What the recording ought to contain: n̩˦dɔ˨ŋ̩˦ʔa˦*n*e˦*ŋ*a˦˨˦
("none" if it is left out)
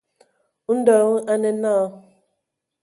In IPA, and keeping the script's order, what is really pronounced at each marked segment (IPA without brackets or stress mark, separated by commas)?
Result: n, n